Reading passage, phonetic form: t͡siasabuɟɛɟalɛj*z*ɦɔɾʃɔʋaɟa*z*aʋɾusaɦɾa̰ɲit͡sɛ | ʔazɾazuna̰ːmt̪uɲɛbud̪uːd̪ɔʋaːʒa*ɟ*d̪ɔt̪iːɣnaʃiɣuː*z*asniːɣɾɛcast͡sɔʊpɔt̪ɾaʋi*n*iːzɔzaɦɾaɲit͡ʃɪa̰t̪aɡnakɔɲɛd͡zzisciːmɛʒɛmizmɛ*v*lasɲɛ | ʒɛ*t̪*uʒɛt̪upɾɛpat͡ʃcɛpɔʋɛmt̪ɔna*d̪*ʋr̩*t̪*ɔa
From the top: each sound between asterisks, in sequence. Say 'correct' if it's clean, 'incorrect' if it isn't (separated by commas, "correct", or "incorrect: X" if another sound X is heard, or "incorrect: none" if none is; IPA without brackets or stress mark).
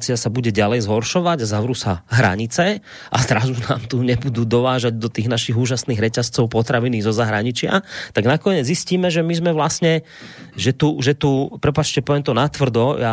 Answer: correct, correct, correct, incorrect: ʒ, correct, incorrect: ʋ, correct, incorrect: t̪, incorrect: d̪